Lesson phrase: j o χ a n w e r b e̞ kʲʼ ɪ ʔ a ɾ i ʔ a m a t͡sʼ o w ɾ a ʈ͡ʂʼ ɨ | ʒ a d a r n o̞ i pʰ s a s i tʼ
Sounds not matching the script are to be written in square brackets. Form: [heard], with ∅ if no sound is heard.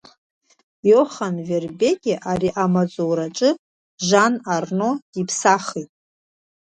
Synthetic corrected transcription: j o χ a n [v] e r b e̞ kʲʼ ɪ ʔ a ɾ i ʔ a m a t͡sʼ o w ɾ a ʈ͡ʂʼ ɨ | ʒ a [n] a r n o̞ i pʰ s a [χ] i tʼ

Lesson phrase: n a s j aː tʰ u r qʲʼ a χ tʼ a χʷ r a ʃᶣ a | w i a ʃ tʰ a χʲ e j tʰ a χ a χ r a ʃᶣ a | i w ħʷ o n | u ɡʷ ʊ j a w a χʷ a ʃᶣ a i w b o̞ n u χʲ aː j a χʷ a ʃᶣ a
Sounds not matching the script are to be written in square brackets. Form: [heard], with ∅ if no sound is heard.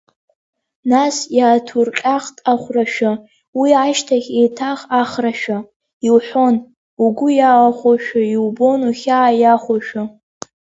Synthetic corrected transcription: n a s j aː tʰ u r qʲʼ a χ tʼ a χʷ r a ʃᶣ a | w i a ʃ tʰ a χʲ e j tʰ a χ a χ r a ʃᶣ a | i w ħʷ o n | u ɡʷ ʊ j a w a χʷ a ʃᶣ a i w b o̞ n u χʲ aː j a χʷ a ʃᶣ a

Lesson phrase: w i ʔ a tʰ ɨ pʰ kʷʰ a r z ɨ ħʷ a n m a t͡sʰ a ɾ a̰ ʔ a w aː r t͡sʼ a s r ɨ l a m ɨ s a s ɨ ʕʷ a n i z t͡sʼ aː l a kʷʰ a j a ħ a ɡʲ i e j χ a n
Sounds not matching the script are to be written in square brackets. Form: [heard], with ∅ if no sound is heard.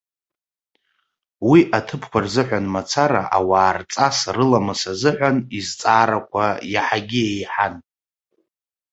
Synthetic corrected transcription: w i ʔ a tʰ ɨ pʰ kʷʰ a r z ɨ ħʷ a n m a t͡sʰ a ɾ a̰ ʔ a w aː r t͡sʼ a s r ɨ l a m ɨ s a [z] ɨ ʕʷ a n i z t͡sʼ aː [ɾ] a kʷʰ a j a ħ a ɡʲ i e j [ħ] a n

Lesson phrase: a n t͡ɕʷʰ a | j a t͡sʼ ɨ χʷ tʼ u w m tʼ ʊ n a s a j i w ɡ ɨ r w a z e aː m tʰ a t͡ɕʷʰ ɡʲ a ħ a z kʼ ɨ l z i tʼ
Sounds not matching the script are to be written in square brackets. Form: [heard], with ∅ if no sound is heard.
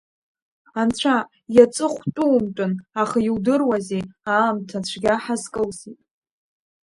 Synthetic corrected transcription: a n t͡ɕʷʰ a | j a t͡sʼ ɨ χʷ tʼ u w m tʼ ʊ n a [χ] a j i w [d] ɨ r w a z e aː m tʰ a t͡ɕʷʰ ɡʲ a ħ a z kʼ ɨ l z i tʼ

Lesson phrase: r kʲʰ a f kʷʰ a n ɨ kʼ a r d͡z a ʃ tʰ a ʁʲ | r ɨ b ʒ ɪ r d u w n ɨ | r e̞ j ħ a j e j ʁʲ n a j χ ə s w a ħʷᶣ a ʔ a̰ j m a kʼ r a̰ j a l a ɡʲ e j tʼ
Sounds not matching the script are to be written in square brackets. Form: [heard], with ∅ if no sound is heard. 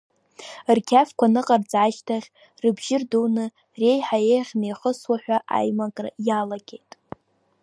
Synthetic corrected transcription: r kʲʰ a f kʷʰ a n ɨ [qʼ] a r d͡z a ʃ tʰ a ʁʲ | r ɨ b ʒ ɪ r d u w n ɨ | r e̞ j ħ a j e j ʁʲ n [e] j χ ə s w a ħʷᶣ a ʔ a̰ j m a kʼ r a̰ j a l a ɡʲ e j tʼ

